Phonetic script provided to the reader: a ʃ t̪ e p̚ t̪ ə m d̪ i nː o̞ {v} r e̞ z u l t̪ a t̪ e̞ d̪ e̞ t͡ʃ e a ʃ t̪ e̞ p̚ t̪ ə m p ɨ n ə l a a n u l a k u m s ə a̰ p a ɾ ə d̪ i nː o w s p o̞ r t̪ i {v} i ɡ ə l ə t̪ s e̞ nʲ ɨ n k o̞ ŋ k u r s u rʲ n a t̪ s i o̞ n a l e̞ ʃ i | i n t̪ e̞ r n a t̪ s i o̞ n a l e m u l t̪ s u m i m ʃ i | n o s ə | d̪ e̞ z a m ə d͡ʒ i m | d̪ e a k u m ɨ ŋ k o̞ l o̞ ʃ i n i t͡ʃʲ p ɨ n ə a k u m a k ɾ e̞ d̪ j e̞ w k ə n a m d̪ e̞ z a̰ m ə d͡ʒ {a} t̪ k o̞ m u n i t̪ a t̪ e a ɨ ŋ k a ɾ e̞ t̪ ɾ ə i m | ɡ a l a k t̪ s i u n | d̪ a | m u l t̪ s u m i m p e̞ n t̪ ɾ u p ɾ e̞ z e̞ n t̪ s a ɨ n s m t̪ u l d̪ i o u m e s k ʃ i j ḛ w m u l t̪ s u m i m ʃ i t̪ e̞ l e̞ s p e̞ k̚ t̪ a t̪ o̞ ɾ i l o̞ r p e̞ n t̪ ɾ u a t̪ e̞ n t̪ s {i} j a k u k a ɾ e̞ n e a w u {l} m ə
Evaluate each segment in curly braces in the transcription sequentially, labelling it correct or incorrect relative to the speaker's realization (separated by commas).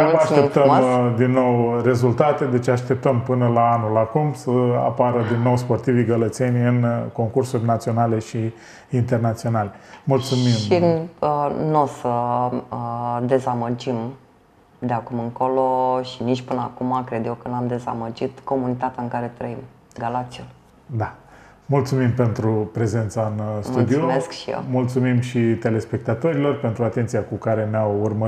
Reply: incorrect, correct, incorrect, correct, incorrect